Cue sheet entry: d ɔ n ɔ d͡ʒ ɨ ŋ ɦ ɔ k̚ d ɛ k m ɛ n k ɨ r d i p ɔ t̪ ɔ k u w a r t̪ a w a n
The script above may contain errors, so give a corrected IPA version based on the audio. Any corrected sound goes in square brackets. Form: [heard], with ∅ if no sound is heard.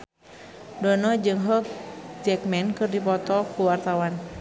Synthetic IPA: d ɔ n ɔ d͡ʒ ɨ ŋ ɦ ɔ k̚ [d͡ʒ] ɛ k m ɛ n k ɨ r d i p ɔ t̪ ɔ k u w a r t̪ a w a n